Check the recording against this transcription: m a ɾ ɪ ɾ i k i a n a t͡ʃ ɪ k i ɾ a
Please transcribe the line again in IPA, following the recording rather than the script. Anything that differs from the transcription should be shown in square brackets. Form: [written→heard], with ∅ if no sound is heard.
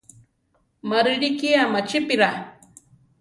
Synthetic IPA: m a ɾ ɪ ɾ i k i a [n→m] a t͡ʃ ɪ [k→p] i ɾ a